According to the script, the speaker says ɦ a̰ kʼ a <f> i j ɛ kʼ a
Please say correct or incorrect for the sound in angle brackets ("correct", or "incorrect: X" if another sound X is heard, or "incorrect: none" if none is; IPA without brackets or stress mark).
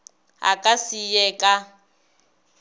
incorrect: s